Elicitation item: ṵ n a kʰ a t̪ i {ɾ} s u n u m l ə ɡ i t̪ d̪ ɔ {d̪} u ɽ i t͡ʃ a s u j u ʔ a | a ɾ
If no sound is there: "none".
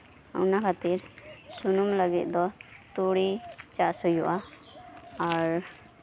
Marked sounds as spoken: ɾ, t̪

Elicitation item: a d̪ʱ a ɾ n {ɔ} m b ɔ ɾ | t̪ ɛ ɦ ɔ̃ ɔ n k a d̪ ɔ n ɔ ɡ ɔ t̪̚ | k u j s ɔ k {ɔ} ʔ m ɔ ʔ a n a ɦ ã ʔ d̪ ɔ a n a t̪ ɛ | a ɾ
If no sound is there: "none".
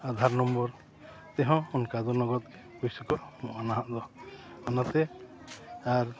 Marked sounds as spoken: ɔ, ɔ

